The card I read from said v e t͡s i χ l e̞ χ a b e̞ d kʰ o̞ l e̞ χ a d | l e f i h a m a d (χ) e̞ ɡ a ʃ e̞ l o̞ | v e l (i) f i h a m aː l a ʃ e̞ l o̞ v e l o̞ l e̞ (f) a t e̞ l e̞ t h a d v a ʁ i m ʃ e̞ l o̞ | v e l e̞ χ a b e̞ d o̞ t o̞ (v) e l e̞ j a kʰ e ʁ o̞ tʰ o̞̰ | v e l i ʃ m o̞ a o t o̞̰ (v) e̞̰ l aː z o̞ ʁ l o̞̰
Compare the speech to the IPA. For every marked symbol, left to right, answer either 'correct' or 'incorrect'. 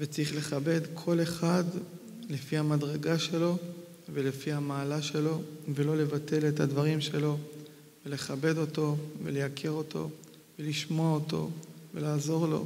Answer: incorrect, incorrect, incorrect, correct, correct

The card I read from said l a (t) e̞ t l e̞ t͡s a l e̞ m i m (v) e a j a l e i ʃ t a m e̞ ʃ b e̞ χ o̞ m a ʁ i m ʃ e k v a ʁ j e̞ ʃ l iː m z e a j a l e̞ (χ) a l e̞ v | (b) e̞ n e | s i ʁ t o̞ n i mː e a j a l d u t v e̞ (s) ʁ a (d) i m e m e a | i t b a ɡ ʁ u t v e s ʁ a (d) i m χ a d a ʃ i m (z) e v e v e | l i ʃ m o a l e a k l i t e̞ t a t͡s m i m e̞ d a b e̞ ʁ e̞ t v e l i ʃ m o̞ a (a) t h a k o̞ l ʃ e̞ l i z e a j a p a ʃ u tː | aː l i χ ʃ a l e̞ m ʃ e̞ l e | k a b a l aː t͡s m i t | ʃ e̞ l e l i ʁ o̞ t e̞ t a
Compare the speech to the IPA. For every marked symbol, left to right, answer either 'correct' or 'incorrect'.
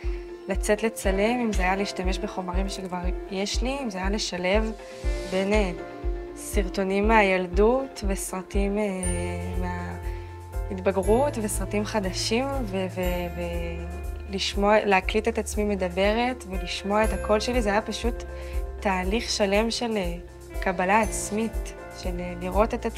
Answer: incorrect, incorrect, incorrect, correct, correct, incorrect, incorrect, incorrect, incorrect

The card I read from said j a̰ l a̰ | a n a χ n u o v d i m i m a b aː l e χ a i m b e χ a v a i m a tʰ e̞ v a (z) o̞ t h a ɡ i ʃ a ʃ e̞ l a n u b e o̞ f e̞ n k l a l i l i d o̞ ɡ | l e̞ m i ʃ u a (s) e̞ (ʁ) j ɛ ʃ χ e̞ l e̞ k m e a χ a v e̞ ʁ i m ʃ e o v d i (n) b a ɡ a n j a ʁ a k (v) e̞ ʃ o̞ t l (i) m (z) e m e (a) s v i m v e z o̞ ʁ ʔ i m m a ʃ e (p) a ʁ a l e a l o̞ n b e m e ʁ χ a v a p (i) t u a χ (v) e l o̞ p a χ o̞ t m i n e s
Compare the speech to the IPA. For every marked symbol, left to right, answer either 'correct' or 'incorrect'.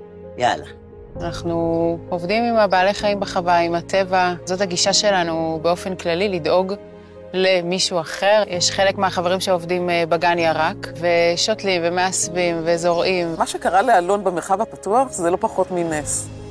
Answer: correct, incorrect, correct, incorrect, correct, correct, incorrect, correct, incorrect, incorrect, incorrect

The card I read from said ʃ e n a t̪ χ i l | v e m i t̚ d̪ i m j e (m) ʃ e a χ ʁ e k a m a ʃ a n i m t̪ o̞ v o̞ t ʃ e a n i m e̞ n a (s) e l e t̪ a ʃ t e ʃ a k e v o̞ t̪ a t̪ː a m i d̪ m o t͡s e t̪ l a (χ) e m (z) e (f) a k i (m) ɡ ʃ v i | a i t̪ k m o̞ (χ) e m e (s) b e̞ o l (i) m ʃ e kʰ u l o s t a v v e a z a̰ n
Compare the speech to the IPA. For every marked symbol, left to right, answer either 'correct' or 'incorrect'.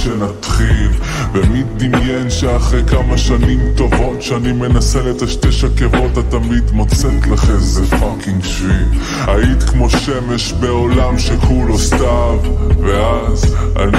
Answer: incorrect, correct, correct, correct, correct, incorrect, incorrect, incorrect, incorrect

